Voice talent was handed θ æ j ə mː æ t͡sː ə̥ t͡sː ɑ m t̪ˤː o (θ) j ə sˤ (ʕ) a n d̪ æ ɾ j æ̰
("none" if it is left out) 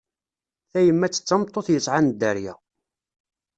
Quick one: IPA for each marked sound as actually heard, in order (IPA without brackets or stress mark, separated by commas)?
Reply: θ, ʕ